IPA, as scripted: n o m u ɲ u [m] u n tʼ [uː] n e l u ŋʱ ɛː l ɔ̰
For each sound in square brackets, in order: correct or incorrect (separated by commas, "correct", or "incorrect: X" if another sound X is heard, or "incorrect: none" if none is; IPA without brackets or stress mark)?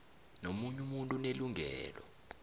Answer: correct, incorrect: u